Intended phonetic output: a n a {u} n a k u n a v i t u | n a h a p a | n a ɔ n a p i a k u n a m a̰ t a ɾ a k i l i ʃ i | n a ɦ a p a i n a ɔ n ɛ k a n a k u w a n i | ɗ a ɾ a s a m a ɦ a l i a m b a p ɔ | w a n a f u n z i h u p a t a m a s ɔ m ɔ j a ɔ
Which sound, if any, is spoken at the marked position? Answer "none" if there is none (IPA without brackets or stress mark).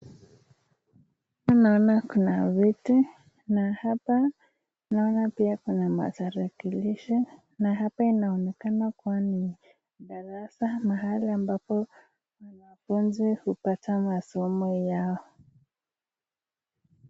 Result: ɔ